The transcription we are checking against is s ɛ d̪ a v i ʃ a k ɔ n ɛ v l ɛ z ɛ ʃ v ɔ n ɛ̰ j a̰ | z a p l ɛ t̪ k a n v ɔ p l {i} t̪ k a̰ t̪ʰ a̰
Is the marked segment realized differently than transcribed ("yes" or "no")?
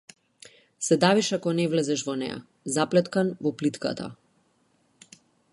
no